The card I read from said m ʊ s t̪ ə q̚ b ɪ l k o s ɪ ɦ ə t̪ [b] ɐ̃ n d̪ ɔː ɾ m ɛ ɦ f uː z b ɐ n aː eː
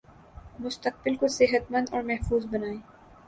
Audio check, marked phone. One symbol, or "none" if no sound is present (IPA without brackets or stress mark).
m